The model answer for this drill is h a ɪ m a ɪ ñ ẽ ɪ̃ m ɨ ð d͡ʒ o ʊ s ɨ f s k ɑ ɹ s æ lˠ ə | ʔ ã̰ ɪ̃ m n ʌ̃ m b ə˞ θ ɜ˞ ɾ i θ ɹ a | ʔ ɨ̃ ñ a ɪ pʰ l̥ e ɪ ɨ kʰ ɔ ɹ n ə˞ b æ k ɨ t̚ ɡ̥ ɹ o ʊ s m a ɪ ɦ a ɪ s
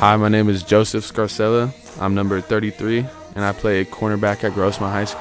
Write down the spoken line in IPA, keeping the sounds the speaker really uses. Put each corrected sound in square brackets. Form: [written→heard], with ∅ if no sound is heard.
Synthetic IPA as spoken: h a ɪ m a ɪ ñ ẽ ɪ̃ m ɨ [ð→z] d͡ʒ o ʊ s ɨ f s k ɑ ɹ s [æ→ɛ] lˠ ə | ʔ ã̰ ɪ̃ m n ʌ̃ m b ə˞ θ ɜ˞ ɾ i θ ɹ [a→i] | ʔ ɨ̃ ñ a ɪ pʰ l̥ e ɪ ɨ kʰ ɔ ɹ n ə˞ b æ k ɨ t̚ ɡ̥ ɹ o ʊ s m a ɪ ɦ a ɪ s